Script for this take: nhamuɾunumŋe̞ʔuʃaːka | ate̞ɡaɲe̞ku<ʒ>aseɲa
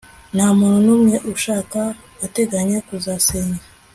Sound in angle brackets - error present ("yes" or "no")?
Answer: yes